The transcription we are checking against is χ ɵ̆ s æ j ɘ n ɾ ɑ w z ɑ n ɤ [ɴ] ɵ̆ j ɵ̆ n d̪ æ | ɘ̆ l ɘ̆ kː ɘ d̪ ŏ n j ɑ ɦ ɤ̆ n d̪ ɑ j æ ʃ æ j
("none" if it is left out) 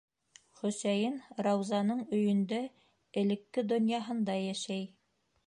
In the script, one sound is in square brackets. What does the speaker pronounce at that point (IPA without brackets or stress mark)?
ɴ